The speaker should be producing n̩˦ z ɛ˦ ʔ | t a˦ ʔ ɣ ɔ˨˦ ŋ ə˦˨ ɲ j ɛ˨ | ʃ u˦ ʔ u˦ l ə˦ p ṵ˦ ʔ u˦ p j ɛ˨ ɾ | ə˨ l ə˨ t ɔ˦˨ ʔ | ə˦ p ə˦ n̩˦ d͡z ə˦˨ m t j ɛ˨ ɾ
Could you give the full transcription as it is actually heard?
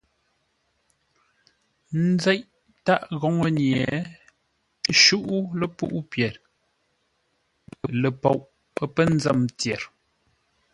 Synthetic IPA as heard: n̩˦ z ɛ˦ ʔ | t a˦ ʔ ɣ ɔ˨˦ ŋ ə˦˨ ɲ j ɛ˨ | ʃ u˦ ʔ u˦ l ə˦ p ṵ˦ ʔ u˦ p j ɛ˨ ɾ | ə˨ l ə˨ p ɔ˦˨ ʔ | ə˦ p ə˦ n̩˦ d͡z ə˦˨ m t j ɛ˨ ɾ